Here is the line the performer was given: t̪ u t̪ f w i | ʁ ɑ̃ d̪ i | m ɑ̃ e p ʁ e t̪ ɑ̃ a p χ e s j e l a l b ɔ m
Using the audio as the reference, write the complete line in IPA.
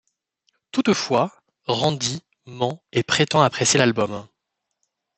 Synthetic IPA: t̪ u t̪ f w a | ʁ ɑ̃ d̪ i | m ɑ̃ e p χ e t̪ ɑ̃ a p χ e s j e l a l b ɔ m